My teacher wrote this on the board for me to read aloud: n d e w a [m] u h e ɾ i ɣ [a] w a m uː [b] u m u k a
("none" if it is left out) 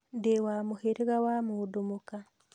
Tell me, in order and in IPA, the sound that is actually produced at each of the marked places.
m, a, d

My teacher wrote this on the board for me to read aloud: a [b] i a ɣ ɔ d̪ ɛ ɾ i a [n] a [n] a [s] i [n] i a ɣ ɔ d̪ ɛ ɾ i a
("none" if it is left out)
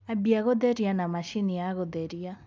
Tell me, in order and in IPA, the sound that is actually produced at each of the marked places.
b, n, m, ʃ, n

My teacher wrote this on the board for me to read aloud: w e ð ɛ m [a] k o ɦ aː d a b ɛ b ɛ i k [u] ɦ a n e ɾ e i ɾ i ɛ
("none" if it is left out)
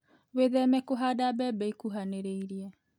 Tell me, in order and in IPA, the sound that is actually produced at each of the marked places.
ɛ, u

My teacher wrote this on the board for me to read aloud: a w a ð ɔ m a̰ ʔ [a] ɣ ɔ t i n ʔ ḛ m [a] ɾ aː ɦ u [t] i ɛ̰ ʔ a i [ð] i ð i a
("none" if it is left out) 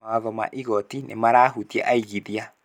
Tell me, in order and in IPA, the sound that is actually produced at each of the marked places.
i, a, t, ɣ

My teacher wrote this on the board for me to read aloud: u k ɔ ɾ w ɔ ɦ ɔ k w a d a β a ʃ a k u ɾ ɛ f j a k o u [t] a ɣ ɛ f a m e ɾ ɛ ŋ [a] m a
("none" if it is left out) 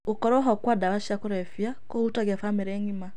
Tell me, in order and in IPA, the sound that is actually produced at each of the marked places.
t, i

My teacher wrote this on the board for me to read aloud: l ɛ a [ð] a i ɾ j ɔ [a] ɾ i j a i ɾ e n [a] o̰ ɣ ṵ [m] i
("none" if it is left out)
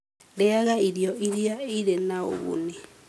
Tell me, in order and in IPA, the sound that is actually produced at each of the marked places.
ɣ, i, a, n

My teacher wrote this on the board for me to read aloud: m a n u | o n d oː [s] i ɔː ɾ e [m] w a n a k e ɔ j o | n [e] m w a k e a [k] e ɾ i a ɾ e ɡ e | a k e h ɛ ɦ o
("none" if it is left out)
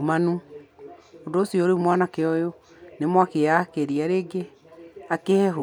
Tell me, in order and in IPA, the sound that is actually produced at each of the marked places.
s, m, e, k

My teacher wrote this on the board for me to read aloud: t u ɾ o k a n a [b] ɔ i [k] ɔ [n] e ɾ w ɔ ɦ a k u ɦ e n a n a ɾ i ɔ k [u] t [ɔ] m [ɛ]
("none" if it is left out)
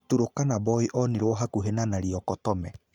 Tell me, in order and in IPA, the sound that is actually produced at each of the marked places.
b, ʔ, n, ɔ, ɔ, ɛ

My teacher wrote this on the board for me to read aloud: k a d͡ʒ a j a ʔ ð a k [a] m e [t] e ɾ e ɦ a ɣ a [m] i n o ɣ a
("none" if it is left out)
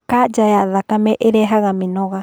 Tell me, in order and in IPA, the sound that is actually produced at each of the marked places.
a, ʔ, m

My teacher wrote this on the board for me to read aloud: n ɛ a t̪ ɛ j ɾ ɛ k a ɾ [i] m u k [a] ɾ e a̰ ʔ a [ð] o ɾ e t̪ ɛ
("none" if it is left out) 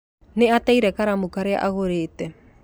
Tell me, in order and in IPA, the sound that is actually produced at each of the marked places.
a, a, ɣ

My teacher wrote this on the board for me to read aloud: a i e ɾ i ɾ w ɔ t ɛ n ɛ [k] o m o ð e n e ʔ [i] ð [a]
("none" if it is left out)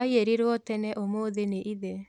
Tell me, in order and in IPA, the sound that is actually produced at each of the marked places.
ʔ, i, ɛ

